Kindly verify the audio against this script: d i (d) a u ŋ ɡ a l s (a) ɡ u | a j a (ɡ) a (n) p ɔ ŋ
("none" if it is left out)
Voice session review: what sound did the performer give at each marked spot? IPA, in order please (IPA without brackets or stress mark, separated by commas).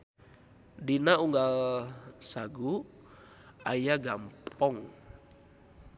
n, a, ɡ, m